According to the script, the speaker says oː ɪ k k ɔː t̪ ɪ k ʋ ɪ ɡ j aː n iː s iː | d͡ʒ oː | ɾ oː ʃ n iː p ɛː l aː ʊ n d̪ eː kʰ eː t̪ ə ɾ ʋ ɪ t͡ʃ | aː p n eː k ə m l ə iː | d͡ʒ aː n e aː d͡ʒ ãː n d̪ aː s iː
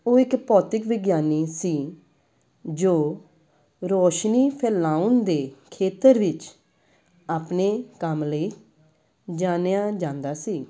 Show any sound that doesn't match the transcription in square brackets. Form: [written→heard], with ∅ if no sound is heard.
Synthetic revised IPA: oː ɪ k [k→p] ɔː t̪ ɪ k ʋ ɪ ɡ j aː n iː s iː | d͡ʒ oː | ɾ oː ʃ n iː [p→pʰ] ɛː l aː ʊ n d̪ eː kʰ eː t̪ ə ɾ ʋ ɪ t͡ʃ | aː p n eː k ə m l ə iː | d͡ʒ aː n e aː d͡ʒ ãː n d̪ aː s iː